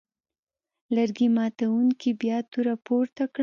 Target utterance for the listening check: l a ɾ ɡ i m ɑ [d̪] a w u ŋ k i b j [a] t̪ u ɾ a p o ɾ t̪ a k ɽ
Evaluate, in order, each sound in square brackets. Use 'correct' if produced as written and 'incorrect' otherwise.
incorrect, incorrect

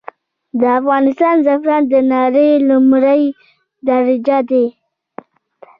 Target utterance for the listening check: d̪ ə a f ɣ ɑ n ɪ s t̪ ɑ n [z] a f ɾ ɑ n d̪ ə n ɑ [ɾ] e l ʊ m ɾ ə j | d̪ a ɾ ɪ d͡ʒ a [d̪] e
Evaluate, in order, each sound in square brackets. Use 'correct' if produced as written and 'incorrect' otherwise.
correct, correct, correct

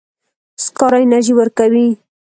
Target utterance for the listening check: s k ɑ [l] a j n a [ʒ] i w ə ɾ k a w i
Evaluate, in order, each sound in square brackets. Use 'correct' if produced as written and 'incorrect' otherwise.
incorrect, correct

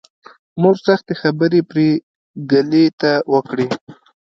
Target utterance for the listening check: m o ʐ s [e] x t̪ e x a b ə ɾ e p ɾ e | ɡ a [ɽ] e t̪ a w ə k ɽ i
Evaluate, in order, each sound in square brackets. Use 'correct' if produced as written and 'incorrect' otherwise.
incorrect, incorrect

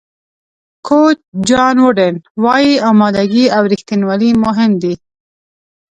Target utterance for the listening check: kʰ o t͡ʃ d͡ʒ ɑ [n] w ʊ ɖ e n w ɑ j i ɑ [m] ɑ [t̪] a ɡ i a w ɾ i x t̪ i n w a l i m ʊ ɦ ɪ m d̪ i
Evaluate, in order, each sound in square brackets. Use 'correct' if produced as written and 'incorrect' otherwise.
correct, correct, incorrect

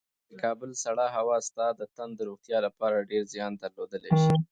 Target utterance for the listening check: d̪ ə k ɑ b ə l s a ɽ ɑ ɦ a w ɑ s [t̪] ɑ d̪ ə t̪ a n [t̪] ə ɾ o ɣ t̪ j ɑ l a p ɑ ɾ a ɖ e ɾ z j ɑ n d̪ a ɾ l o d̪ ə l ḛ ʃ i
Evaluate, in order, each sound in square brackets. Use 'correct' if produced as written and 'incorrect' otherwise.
correct, incorrect

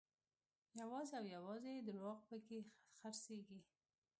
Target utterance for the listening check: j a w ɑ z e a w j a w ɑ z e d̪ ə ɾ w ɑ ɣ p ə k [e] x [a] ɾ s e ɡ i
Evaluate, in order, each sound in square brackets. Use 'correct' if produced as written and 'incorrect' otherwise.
correct, correct

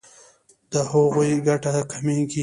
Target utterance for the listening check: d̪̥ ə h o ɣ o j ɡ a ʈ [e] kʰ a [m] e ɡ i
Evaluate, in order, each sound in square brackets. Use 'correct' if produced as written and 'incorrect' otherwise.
incorrect, correct

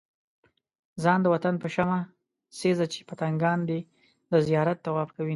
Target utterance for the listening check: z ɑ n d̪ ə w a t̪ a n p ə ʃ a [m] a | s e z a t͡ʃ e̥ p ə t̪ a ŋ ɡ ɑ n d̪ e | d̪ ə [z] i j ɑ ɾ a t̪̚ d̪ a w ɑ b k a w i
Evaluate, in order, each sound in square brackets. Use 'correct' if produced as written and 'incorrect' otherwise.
correct, correct

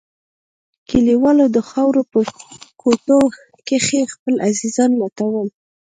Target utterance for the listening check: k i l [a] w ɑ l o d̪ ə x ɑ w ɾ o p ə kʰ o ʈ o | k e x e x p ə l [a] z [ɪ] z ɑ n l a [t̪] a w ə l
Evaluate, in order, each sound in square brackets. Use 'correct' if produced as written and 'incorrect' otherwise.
incorrect, correct, incorrect, correct

